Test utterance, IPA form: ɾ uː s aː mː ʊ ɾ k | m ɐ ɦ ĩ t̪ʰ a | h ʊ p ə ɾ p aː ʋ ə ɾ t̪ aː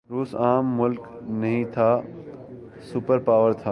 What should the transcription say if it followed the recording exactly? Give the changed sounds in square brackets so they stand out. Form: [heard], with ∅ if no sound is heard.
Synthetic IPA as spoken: ɾ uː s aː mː ʊ [l] k | [n] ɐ ɦ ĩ t̪ʰ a | [s] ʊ p ə ɾ p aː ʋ ə ɾ [t̪ʰ] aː